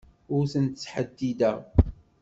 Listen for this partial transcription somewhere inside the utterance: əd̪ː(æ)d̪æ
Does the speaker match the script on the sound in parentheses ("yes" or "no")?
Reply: no